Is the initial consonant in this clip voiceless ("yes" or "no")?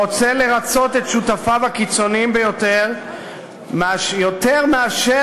yes